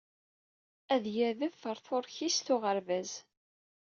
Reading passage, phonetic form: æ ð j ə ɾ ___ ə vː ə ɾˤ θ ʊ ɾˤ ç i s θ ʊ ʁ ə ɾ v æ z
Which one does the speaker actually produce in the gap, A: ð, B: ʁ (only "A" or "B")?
A